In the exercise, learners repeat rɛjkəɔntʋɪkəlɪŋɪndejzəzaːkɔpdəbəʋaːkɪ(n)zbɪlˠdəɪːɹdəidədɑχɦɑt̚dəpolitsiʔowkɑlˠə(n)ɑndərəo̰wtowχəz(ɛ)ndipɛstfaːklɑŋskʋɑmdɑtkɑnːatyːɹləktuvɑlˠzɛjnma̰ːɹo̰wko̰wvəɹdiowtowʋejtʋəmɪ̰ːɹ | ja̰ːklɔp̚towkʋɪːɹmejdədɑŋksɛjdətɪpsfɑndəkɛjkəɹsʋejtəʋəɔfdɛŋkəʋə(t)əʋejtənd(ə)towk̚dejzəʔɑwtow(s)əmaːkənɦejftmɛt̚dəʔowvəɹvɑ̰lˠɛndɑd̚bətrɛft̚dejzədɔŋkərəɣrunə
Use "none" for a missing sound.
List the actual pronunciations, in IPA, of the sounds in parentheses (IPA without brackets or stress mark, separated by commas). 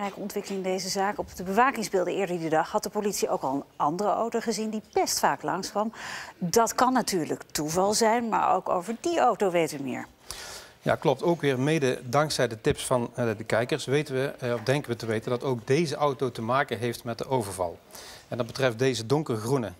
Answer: ŋ, n, i, t, ɑ, t